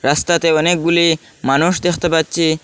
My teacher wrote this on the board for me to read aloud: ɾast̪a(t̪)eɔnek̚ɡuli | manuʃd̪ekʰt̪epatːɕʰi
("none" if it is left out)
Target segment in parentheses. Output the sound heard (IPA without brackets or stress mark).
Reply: t̪